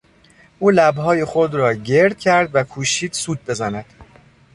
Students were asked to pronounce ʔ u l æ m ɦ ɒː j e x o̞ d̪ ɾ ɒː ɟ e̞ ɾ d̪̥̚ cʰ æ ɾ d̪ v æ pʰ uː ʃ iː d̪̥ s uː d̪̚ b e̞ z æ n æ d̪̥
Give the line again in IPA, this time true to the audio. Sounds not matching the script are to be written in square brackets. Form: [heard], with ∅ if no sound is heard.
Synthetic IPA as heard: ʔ [uː] l æ [b] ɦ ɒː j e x o̞ d̪ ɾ ɒː ɟ e̞ ɾ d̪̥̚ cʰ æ ɾ d̪ v æ [kʰ] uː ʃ iː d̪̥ s uː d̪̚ b e̞ z æ n æ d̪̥

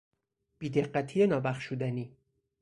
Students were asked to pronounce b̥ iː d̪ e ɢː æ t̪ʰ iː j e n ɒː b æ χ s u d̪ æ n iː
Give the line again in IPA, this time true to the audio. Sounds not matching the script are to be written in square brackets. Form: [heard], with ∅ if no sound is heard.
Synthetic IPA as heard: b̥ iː d̪ e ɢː æ t̪ʰ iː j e n ɒː b æ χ [ʃ] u d̪ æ n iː

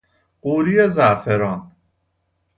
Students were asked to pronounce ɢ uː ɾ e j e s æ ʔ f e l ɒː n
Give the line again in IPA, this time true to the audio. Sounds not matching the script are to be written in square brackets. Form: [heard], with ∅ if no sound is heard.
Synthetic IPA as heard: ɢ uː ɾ [i] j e [z] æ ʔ f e [ɾ] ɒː n

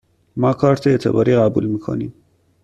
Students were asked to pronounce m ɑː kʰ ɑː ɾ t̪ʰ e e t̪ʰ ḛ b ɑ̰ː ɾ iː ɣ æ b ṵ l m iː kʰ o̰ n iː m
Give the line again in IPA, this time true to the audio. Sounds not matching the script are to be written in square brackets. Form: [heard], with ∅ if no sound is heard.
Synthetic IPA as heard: m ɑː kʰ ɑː ɾ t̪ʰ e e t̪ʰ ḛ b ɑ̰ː ɾ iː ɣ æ b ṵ l m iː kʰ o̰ n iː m

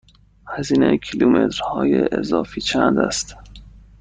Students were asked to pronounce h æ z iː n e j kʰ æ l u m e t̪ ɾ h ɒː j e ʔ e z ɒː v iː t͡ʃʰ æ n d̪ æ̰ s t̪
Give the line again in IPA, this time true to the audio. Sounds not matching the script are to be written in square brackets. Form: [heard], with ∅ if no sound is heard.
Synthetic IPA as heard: h æ z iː n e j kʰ [i] l u m e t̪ ɾ h ɒː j e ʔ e z ɒː [f] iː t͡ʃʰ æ n d̪ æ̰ s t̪

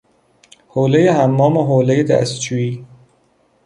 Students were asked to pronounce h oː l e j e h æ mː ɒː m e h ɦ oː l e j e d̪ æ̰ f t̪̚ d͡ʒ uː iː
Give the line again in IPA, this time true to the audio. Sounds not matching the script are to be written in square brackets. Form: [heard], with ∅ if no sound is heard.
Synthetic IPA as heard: h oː l e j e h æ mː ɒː m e [∅] ɦ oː l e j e d̪ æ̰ [s] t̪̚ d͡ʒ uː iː

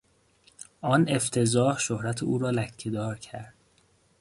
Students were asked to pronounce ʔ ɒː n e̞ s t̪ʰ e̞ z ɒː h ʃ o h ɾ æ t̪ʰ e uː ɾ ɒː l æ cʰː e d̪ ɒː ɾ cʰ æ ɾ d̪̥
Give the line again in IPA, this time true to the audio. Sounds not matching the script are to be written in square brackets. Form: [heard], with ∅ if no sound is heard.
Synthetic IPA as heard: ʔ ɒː n e̞ [f] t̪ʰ e̞ z ɒː h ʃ o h ɾ æ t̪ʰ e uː ɾ ɒː l æ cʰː e d̪ ɒː ɾ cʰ æ ɾ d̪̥

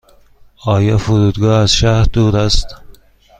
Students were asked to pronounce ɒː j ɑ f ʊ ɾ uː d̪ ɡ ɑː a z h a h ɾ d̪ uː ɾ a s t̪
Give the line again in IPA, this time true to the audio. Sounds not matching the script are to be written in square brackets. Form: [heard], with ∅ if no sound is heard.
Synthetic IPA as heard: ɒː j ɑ f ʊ ɾ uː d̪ ɡ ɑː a z [ʃ] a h ɾ d̪ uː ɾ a s t̪

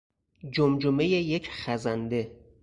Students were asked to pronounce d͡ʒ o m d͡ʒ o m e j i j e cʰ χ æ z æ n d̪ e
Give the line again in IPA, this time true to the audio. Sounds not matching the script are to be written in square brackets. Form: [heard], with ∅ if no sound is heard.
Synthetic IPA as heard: d͡ʒ o m d͡ʒ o m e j [e] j e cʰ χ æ z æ n d̪ e

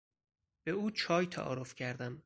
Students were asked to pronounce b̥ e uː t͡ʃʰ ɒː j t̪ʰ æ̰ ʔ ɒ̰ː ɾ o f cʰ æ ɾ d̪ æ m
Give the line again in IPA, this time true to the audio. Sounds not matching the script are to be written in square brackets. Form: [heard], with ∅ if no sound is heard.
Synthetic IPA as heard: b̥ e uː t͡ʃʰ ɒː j t̪ʰ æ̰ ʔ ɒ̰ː ɾ o f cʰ æ ɾ d̪ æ m

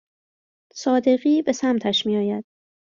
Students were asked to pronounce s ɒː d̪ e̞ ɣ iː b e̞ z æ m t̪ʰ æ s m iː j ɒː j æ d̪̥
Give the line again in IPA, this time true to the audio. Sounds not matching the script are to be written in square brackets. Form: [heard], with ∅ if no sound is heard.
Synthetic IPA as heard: s ɒː d̪ e̞ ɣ iː b e̞ [s] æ m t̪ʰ æ [ʃ] m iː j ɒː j æ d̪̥

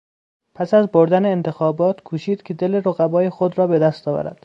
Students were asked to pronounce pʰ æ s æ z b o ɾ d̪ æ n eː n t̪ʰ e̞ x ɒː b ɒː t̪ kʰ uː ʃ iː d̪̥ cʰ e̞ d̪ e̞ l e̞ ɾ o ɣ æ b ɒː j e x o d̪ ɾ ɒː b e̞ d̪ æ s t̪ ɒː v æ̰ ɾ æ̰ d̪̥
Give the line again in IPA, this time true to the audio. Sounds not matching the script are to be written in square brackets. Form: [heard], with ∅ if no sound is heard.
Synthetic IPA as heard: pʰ æ s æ z b o ɾ d̪ æ n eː n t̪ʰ e̞ x ɒː b ɒː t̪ kʰ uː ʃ iː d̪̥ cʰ e̞ d̪ e̞ l e̞ ɾ o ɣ æ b ɒː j e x o d̪ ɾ ɒː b e̞ d̪ æ s t̪ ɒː v æ̰ ɾ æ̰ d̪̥

